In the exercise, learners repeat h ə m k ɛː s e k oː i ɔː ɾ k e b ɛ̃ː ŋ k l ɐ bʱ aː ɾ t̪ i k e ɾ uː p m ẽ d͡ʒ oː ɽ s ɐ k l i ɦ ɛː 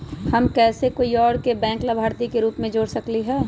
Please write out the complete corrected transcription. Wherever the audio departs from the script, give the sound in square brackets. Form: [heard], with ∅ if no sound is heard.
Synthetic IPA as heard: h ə m k ɛː s e k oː i ɔː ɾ k e b ɛ̃ː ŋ k l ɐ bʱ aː ɾ t̪ i k e ɾ uː p m ẽ d͡ʒ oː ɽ s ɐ k l i ɦ ɛː